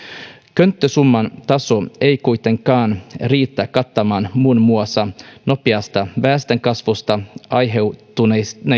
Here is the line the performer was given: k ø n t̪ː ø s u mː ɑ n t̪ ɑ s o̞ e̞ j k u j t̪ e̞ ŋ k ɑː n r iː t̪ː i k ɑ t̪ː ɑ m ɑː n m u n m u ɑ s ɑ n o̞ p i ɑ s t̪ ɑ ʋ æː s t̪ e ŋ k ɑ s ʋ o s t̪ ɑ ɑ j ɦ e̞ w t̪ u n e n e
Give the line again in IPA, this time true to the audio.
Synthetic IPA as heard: k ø n t̪ː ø s u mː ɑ n t̪ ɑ s o̞ e̞ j k u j t̪ e̞ ŋ k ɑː n r iː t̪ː æ k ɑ t̪ː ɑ m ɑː n m u n m u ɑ s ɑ n o̞ p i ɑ s t̪ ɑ ʋ æː s t̪ e ŋ k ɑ s ʋ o s t̪ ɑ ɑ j ɦ e̞ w t̪ u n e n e